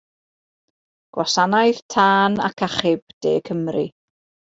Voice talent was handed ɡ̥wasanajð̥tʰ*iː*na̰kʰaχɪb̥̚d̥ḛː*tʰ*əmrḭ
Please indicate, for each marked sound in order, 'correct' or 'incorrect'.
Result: incorrect: aː, incorrect: kʰ

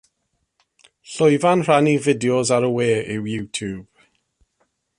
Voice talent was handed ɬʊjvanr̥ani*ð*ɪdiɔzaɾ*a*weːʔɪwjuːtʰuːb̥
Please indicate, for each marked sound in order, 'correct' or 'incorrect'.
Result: incorrect: v, incorrect: ə

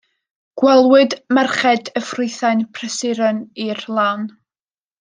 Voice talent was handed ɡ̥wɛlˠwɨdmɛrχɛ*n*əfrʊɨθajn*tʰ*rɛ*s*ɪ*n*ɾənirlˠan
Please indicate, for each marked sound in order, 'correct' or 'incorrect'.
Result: incorrect: d, incorrect: pʰ, correct, incorrect: none

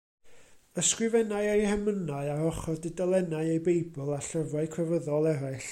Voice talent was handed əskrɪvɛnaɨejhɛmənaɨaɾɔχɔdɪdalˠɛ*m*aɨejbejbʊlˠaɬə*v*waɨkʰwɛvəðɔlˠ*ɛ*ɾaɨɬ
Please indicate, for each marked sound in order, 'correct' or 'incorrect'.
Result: incorrect: n, correct, correct

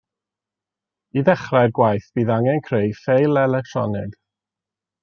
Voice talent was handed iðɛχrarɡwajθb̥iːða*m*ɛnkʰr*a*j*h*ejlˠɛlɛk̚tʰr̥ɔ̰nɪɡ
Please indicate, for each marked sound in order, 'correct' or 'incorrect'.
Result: incorrect: ŋ, incorrect: e, incorrect: f

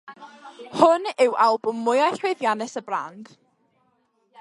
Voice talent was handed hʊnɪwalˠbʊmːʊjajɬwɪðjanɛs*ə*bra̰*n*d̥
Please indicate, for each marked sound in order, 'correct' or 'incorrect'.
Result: correct, correct

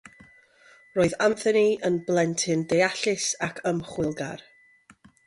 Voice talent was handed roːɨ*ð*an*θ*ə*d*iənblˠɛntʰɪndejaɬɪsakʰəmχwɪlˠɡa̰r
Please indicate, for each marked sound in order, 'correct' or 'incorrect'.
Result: correct, correct, incorrect: n

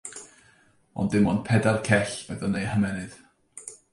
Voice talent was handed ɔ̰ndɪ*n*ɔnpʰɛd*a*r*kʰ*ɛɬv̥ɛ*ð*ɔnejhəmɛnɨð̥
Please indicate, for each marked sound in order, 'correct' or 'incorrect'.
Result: incorrect: m, correct, correct, correct

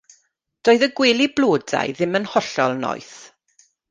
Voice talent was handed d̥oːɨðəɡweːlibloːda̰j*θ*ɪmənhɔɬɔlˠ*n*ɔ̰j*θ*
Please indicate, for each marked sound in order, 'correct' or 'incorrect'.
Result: incorrect: ð, correct, correct

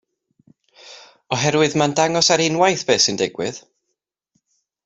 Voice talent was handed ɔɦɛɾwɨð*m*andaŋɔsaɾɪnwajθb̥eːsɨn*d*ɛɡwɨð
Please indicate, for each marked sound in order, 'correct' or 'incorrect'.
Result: correct, correct

